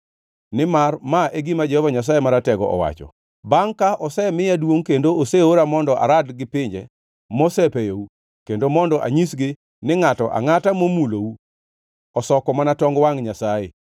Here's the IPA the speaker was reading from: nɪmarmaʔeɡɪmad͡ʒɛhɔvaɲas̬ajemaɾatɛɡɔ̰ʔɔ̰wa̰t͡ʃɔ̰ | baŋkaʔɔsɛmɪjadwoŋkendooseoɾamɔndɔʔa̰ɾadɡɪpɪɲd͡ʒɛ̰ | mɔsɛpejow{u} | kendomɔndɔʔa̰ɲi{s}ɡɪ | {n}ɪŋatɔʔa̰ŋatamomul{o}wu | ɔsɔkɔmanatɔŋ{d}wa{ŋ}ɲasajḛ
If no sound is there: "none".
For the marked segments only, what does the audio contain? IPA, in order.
u, s, n, o, ɡ, ŋ

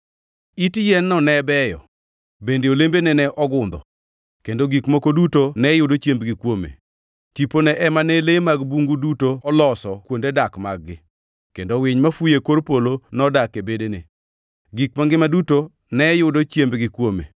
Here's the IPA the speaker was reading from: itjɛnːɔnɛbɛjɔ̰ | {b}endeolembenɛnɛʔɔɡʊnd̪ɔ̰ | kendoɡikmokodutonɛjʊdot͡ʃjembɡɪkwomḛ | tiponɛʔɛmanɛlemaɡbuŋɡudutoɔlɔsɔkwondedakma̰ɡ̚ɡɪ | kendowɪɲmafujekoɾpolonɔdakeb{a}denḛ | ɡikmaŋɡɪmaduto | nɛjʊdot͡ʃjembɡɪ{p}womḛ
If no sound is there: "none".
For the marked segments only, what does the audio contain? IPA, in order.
b, e, k

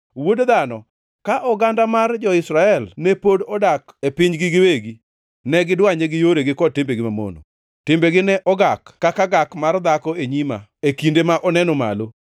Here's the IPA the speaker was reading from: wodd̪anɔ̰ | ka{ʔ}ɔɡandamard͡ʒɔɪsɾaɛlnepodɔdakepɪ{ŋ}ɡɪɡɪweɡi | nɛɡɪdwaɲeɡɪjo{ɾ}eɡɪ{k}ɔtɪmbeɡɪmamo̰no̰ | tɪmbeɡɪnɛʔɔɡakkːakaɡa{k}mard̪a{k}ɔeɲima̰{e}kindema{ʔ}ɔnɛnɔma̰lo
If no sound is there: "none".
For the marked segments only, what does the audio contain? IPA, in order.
ʔ, ɲ, ɾ, k, k, k, e, ʔ

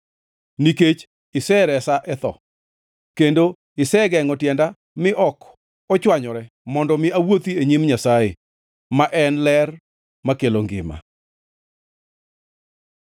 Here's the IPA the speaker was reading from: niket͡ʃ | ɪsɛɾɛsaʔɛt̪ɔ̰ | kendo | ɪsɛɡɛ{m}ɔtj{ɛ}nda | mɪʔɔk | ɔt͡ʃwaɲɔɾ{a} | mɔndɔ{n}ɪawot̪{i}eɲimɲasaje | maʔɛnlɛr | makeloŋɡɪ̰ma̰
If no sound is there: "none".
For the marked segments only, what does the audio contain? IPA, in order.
ŋ, ɛ, ɛ, m, i

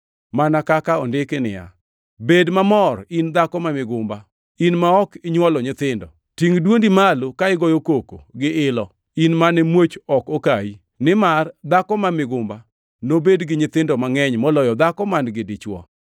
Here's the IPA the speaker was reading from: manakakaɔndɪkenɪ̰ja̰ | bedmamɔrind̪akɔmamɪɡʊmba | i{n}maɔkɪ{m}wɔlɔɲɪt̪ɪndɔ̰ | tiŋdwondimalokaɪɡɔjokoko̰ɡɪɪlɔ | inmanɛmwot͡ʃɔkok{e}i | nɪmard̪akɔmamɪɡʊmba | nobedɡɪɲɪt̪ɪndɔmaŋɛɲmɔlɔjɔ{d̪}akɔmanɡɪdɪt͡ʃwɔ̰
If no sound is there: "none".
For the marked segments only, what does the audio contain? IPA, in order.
n, ɲ, a, d̪

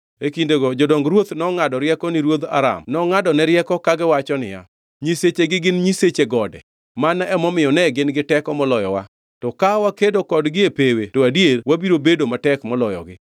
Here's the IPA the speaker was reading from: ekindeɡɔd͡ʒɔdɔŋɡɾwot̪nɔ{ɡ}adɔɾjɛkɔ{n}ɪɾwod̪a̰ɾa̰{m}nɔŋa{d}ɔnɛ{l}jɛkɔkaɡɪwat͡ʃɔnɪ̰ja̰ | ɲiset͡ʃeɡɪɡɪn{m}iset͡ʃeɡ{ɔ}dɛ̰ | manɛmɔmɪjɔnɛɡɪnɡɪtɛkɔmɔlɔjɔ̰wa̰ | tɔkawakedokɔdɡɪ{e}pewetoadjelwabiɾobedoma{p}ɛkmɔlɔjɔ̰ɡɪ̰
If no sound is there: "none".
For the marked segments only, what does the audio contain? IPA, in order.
ŋ, n, m, d, ɾ, ɲ, ɔ, e, t

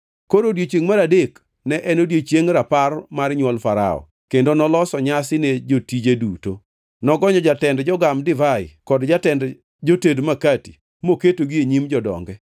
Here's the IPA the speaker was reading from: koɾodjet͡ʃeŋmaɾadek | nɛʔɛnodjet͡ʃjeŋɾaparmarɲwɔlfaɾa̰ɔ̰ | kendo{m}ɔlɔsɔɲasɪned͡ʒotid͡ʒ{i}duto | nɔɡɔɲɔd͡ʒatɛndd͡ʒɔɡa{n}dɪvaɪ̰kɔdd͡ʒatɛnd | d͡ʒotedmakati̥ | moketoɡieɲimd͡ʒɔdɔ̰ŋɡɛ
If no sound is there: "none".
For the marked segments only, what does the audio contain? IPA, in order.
n, e, m

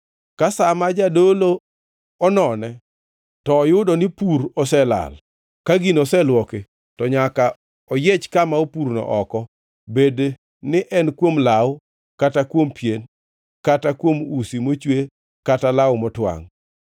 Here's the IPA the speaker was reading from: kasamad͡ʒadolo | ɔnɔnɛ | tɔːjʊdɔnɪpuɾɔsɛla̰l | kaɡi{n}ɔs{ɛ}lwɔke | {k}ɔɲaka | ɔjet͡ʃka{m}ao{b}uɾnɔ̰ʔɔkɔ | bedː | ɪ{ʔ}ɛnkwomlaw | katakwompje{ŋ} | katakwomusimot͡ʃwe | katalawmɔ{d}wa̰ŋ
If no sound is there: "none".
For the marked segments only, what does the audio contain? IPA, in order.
n, ɛ, t, m, p, ʔ, n, t

